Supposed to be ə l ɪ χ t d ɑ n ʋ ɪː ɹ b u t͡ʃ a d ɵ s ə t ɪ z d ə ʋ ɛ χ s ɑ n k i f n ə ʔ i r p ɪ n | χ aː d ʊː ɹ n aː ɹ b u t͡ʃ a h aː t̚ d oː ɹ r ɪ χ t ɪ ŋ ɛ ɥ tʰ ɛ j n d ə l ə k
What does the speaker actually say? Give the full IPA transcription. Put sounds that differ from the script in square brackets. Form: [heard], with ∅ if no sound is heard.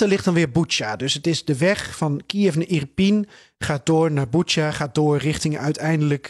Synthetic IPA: ə l ɪ χ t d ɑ n ʋ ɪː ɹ b u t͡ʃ a d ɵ s ə t ɪ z d ə ʋ ɛ χ [f] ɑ n k i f n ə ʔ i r p [i] n | χ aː d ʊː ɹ n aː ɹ b u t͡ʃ a [χ] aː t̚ d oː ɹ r ɪ χ t ɪ ŋ [œ] ɥ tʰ ɛ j n d ə l ə k